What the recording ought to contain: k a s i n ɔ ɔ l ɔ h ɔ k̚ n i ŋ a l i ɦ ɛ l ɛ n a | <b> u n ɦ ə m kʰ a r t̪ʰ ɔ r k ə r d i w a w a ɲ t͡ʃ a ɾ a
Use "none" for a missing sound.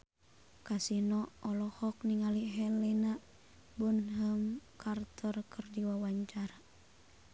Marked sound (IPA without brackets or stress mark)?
b